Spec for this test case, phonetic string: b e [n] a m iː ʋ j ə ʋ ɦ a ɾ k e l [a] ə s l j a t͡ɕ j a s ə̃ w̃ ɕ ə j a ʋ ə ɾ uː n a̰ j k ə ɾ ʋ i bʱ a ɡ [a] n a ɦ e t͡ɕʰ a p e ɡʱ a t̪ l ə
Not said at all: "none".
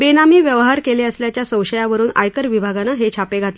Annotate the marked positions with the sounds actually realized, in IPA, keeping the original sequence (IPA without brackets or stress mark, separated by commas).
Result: n, e, a